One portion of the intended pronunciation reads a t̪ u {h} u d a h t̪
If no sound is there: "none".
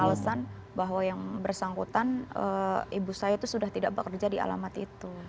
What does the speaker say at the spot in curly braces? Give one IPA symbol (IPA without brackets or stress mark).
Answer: s